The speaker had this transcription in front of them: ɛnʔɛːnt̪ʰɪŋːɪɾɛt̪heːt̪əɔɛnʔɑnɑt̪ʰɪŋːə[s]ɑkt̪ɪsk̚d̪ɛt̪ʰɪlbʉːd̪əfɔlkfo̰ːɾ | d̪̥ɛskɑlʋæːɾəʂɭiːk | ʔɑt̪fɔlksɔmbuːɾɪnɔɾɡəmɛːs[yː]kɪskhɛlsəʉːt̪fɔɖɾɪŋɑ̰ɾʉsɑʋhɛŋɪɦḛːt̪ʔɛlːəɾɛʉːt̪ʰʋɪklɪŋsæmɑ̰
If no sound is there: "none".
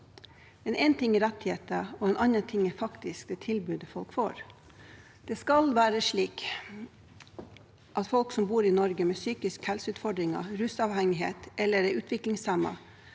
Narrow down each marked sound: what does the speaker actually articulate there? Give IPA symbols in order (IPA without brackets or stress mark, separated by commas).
f, yː